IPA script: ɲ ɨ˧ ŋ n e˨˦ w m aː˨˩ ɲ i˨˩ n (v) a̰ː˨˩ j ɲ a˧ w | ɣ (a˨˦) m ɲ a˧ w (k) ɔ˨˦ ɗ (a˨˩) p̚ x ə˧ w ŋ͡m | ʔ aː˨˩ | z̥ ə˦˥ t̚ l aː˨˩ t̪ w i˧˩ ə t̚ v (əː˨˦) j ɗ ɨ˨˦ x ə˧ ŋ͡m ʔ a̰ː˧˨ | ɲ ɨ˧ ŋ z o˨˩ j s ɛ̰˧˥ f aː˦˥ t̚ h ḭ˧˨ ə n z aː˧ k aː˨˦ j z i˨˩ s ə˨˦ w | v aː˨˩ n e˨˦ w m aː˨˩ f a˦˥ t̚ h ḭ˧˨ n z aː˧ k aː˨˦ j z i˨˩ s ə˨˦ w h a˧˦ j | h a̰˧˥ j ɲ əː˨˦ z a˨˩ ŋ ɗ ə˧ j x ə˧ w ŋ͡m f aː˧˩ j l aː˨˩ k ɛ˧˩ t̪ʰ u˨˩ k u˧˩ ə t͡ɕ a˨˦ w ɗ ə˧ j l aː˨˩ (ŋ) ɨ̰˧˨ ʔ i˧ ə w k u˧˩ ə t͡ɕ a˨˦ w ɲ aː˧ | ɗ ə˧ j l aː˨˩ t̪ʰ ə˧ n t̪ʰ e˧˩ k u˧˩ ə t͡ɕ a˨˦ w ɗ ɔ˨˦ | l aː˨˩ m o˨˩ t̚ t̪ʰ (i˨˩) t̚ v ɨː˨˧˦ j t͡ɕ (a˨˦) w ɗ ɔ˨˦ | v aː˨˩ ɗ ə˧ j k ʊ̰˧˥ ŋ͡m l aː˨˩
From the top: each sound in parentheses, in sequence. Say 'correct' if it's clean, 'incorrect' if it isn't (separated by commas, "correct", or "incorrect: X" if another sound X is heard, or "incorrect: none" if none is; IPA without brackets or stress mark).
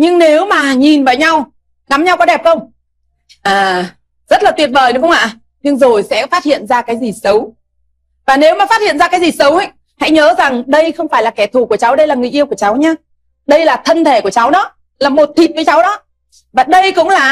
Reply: correct, correct, correct, incorrect: ɛ˨˩, incorrect: əː˨˩, correct, correct, correct